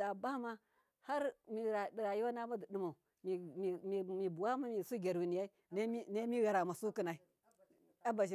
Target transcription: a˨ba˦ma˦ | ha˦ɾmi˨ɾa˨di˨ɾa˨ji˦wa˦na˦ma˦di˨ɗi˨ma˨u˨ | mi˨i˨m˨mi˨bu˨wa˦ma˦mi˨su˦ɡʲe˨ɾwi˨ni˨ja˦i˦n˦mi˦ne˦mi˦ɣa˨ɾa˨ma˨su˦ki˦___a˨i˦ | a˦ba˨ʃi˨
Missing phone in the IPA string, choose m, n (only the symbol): n